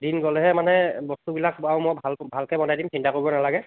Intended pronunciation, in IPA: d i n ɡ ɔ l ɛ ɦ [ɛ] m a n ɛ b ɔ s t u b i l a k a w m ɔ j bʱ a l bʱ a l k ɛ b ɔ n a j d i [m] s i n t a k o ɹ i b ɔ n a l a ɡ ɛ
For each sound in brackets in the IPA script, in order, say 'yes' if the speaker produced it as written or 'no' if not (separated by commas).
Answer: yes, yes